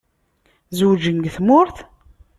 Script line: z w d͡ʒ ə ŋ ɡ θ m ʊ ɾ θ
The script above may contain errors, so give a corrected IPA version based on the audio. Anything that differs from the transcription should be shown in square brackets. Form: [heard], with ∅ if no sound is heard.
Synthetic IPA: z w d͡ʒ ə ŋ ɡ θ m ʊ ɾ θ